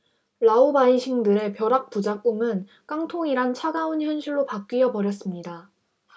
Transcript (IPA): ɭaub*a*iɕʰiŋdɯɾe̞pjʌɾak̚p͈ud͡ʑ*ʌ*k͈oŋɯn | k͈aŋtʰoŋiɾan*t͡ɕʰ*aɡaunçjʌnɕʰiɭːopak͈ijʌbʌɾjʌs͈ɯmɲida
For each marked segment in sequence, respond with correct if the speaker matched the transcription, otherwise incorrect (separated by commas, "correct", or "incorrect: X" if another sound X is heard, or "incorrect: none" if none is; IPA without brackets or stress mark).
correct, incorrect: a, correct